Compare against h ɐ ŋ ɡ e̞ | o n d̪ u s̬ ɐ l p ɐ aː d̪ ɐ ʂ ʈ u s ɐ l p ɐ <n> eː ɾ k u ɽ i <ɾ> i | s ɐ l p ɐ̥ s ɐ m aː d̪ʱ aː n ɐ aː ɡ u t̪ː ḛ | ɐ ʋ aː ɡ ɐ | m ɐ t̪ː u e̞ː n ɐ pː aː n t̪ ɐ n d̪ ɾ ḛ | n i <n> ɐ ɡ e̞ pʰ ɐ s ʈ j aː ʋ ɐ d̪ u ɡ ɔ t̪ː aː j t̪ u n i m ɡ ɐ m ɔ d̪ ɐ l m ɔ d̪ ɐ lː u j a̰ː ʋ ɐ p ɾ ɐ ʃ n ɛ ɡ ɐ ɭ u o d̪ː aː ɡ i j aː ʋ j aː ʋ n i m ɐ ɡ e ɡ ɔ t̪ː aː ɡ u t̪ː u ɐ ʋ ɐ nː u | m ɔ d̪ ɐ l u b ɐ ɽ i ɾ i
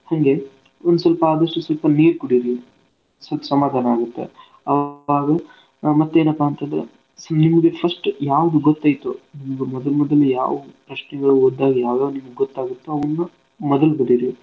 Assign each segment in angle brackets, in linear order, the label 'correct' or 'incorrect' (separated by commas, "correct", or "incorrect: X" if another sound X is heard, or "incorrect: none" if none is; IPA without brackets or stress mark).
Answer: correct, correct, incorrect: m